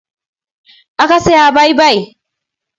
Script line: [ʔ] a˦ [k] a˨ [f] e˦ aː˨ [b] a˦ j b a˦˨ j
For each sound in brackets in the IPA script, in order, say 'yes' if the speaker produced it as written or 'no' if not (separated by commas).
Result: yes, yes, no, yes